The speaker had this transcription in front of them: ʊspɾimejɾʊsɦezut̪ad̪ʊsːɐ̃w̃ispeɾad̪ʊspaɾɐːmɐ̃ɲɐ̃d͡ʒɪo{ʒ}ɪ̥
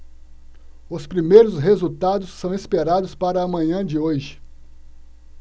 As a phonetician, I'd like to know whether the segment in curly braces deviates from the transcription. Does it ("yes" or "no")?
no